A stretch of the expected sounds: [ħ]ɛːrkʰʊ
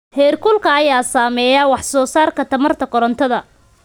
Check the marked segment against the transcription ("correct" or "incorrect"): incorrect